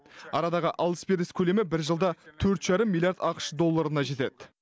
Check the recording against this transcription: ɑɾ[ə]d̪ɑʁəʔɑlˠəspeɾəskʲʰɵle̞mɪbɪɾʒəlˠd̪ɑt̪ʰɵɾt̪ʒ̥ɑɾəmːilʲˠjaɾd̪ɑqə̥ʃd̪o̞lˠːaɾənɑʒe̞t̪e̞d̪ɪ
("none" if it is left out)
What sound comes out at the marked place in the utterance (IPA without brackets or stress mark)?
ɑ